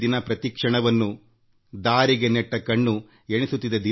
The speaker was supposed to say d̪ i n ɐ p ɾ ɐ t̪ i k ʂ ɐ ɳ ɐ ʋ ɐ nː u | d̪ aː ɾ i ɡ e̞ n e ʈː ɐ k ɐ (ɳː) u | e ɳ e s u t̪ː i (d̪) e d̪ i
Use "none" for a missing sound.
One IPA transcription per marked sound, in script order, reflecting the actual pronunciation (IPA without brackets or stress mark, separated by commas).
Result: ɳː, d̪